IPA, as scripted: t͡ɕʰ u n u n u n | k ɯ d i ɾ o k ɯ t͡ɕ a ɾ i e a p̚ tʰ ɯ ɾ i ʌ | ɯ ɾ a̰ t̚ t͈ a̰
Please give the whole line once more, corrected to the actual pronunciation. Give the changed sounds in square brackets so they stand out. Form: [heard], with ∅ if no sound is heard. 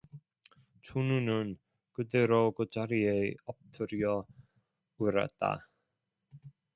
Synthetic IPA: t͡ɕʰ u n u n [ɯ] n | k ɯ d [e] ɾ o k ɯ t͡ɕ a ɾ i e [ʌ] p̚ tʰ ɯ ɾ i ʌ | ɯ ɾ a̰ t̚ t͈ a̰